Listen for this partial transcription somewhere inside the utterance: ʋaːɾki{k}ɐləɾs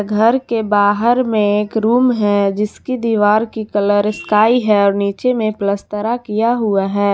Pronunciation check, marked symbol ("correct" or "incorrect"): correct